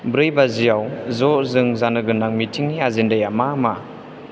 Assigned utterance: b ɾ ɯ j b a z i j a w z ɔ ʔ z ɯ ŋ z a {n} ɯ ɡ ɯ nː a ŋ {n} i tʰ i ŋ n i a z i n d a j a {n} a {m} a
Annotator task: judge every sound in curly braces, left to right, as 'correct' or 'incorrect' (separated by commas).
correct, incorrect, incorrect, correct